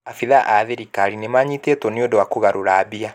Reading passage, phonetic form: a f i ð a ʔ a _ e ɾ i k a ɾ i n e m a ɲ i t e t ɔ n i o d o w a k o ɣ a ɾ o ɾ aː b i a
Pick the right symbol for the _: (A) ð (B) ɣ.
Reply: A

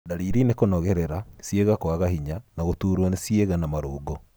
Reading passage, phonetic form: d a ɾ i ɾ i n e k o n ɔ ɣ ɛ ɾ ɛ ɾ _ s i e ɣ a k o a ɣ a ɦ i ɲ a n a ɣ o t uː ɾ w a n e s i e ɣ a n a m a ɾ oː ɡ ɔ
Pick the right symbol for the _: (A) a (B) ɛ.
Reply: A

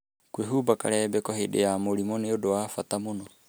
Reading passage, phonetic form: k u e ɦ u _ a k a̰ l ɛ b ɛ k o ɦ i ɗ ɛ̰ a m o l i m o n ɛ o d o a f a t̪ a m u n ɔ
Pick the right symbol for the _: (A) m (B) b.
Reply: B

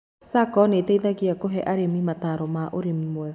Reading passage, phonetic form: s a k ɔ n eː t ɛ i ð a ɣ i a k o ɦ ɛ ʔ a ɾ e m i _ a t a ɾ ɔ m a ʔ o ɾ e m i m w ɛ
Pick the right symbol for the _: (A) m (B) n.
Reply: A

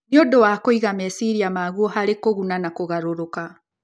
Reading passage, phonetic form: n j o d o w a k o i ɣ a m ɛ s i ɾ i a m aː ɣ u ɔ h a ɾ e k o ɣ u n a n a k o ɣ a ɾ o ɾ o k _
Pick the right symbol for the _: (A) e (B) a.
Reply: B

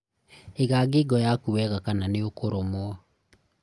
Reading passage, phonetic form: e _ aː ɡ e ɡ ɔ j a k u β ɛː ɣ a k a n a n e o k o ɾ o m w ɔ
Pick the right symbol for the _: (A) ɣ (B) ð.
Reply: A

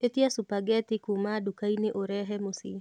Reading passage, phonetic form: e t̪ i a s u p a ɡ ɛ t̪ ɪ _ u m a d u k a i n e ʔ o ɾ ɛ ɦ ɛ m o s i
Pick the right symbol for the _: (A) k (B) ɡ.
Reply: A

